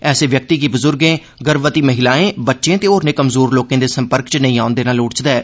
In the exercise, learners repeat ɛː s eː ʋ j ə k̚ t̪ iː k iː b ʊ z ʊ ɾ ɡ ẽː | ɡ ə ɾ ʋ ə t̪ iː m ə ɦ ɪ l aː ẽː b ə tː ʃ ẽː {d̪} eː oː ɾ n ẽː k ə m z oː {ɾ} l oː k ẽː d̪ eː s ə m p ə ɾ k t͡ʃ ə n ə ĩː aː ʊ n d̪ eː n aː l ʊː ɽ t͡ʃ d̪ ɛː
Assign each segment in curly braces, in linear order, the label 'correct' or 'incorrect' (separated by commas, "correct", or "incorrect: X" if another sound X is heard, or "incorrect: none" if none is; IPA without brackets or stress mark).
incorrect: t̪, correct